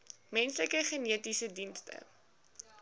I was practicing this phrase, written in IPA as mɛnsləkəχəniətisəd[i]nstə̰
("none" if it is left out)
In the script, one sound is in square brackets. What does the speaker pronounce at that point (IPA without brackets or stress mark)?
i